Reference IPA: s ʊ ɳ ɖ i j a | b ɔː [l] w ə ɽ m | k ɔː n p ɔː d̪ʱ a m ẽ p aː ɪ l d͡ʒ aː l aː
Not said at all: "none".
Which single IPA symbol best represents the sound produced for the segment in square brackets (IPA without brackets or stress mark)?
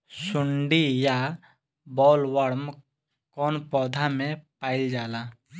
l